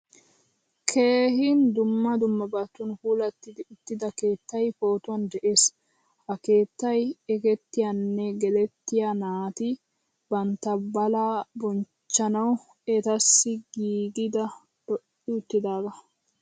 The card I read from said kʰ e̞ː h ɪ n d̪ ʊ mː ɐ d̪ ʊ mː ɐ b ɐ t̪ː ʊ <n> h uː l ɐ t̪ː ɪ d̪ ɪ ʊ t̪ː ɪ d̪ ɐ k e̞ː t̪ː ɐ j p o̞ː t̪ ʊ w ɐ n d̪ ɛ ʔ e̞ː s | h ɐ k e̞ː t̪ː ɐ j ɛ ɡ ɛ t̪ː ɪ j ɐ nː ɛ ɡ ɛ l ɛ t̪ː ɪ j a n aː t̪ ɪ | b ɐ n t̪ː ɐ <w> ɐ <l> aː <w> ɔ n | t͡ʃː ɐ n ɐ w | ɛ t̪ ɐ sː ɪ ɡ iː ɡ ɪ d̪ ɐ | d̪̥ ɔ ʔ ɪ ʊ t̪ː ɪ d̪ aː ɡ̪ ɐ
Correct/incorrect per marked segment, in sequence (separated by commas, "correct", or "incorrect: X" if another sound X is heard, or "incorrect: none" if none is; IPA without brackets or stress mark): correct, incorrect: b, correct, incorrect: b